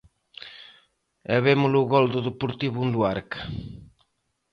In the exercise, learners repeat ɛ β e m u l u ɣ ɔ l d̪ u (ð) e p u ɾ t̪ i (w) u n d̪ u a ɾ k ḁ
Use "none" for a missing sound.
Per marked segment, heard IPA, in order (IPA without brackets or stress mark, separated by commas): ð, β